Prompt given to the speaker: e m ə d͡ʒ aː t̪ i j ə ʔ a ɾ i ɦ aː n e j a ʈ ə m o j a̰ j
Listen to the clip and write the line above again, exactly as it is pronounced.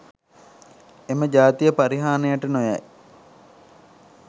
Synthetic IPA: e m ə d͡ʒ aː t̪ i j ə p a ɾ i ɦ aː n e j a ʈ ə n o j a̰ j

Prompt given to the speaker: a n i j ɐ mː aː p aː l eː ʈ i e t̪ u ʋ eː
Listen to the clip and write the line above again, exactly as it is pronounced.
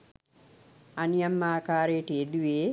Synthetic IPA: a n i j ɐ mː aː k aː ɾ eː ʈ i e d̪ u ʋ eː

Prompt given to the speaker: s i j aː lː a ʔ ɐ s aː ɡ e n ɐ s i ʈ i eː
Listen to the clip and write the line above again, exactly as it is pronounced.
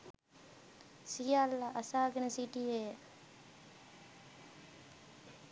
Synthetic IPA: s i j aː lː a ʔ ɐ s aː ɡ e n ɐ s i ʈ i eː

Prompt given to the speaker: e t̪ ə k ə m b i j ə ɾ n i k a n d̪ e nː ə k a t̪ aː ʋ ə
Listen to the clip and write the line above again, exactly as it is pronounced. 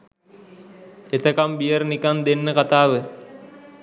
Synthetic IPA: e t̪ ə k a m b i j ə ɾ n i k a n d̪ e nː ə k a t̪ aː ʋ ə

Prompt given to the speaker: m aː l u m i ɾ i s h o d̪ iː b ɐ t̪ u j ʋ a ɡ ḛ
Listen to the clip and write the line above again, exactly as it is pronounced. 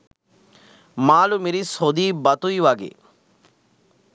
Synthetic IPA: m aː l u m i ɾ i s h o d̪ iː b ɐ t̪ u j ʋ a ɡ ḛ

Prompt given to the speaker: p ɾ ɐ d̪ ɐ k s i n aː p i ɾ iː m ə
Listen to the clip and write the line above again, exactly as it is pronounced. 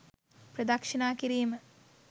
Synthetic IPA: p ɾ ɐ d̪ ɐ k ʂ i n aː k i ɾ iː m ə

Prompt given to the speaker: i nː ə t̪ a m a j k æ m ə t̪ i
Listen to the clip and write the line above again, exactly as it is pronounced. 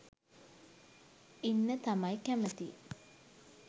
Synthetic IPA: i nː ə t̪ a m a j k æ m ə t̪ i

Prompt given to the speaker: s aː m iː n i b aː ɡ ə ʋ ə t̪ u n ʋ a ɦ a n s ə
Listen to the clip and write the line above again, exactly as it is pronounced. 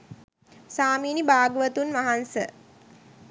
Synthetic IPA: s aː m iː n i b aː ɡ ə ʋ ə t̪ u n ʋ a ɦ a n s ə

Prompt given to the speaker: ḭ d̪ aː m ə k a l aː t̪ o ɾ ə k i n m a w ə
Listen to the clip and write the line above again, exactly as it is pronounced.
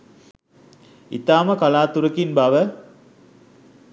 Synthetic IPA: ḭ t̪ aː m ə k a l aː t̪ u ɾ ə k i n b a ʋ ə

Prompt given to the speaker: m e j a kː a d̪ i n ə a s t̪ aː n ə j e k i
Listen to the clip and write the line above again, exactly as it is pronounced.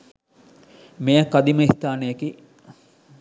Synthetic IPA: m e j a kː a d̪ i m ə i s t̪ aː n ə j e k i

